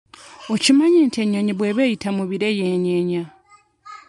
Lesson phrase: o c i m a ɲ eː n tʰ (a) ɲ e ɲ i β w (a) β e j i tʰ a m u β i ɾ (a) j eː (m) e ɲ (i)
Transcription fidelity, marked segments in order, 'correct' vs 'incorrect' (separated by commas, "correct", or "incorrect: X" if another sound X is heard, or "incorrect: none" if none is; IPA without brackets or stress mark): incorrect: e, incorrect: e, incorrect: e, incorrect: ɲ, incorrect: a